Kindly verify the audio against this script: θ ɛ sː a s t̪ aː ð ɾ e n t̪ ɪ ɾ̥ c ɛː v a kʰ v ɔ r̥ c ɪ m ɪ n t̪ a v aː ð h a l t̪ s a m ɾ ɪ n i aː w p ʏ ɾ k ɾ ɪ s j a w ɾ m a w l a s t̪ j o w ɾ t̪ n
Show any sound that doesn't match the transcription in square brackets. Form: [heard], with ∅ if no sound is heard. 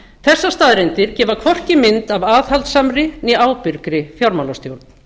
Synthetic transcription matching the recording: θ ɛ sː a s t̪ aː ð ɾ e n t̪ ɪ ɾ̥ c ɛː v a kʰ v ɔ r̥ c ɪ m ɪ n t̪ a v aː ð h a l t̪ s a m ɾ ɪ n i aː w p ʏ ɾ k ɾ ɪ [f] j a w ɾ m a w l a s t̪ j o w ɾ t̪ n